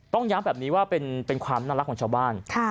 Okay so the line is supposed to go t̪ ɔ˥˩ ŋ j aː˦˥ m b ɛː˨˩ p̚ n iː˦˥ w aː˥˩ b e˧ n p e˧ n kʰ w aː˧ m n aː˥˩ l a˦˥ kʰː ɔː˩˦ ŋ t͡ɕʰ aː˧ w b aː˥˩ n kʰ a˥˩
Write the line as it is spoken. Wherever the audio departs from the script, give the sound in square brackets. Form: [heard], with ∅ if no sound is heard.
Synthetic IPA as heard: t̪ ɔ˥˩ ŋ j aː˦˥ m b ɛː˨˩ p̚ n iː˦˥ w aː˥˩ [p] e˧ n p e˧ n kʰ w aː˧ m n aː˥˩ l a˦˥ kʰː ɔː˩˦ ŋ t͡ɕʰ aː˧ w b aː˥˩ n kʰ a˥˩